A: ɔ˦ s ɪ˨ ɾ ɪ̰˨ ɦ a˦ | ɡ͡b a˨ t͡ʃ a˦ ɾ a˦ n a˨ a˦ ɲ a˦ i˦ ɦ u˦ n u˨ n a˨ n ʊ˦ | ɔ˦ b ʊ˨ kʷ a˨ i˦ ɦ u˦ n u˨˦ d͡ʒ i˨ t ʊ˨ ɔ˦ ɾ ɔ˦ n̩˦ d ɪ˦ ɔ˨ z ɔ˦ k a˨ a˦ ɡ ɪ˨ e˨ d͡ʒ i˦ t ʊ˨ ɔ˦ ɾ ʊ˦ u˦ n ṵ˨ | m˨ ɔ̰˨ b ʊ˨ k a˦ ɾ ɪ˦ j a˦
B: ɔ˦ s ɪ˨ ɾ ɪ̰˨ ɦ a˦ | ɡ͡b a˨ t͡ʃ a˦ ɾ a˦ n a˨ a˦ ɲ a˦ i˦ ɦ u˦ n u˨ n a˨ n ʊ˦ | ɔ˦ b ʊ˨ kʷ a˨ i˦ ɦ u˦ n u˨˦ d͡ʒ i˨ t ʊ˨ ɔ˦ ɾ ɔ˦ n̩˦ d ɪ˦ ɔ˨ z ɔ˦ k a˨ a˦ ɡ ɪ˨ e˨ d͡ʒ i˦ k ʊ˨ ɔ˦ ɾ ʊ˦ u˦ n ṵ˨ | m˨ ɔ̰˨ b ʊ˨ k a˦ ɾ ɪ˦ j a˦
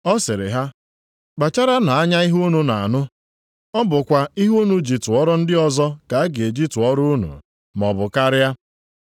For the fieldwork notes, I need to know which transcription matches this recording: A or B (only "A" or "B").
A